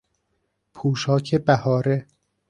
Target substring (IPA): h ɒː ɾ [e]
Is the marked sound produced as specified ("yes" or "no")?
yes